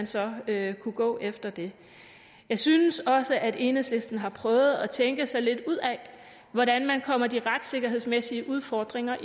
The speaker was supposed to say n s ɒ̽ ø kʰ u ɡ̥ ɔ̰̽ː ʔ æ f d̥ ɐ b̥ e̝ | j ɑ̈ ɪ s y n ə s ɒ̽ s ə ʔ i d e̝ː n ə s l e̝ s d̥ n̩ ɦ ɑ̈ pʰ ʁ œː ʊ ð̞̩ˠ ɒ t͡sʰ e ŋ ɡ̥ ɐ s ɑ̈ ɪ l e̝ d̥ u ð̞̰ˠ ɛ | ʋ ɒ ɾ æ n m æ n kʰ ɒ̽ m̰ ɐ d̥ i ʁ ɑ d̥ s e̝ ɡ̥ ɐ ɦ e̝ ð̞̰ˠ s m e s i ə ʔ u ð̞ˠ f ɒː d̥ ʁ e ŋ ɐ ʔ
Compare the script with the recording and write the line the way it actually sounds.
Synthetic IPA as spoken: n s ɒ̽ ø kʰ u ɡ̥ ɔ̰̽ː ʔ e f d̥ ɐ d̥ e̝ | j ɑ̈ ɪ s y n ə s ɒ̽ s ə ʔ æ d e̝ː n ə s l e̝ s d̥ n̩ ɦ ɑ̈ pʰ ʁ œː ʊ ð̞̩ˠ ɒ t͡sʰ e ŋ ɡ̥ ə s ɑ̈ ɪ l e̝ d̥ u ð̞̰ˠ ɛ | ʋ ɒ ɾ æ n m æ n kʰ ɒ̽ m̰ ɐ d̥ i ʁ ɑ d̥ s e̝ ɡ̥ ɐ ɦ e̝ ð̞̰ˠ s m e s i ə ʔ u ð̞ˠ f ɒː d̥ ʁ e ŋ ɐ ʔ